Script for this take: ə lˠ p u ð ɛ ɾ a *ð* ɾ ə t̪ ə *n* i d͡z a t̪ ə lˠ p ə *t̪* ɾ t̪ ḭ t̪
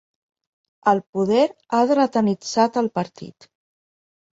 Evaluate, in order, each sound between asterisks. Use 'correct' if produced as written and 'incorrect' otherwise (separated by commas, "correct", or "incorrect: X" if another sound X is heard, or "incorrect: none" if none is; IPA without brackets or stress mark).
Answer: correct, correct, incorrect: none